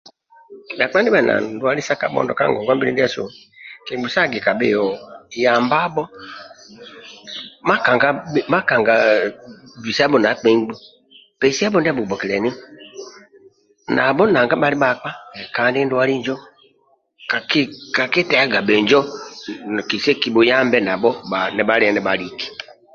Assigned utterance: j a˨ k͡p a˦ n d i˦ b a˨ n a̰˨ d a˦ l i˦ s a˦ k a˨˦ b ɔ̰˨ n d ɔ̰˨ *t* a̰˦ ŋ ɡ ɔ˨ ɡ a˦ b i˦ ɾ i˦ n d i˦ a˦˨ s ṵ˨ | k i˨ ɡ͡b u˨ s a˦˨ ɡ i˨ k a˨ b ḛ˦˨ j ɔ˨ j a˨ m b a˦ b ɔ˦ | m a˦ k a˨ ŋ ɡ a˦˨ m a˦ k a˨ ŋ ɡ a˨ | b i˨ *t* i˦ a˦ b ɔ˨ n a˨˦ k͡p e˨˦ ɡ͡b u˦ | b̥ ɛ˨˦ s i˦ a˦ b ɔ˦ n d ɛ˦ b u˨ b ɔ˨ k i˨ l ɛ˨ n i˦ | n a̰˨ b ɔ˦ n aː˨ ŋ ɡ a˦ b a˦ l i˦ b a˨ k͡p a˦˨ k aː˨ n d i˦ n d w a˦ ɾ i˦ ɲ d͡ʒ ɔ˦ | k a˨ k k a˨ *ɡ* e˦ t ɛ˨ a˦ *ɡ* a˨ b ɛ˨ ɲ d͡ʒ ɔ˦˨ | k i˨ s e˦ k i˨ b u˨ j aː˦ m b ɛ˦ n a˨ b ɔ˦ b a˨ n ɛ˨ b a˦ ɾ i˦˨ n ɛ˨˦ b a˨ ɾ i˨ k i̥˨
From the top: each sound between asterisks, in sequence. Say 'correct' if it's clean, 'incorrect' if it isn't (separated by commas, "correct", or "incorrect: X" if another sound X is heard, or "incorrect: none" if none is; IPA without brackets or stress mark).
incorrect: k, incorrect: s, incorrect: k, correct